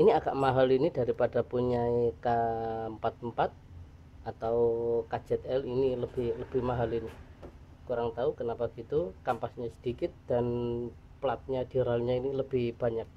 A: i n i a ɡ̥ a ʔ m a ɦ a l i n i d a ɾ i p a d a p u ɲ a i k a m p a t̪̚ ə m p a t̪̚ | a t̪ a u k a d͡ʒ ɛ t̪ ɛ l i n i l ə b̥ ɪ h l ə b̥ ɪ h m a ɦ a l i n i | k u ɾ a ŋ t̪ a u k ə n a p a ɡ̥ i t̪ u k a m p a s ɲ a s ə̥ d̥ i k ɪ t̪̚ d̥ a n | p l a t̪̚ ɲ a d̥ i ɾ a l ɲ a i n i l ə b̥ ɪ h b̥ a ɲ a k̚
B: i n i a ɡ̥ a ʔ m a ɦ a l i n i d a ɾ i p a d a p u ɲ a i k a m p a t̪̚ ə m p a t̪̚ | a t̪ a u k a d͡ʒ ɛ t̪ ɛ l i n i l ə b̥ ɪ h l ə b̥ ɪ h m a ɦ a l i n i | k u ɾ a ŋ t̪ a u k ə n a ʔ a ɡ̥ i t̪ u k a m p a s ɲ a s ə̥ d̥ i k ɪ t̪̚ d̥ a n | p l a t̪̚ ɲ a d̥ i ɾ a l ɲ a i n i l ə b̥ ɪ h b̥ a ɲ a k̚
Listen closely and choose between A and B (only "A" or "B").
A